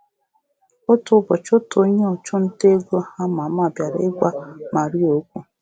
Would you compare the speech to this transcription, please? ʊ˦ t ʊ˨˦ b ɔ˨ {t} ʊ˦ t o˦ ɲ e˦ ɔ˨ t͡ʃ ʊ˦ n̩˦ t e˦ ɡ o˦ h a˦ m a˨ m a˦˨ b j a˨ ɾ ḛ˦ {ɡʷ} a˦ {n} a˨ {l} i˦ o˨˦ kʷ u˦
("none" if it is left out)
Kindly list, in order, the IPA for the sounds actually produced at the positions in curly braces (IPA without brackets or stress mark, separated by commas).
t͡ʃ, ɡʷ, m, ɾ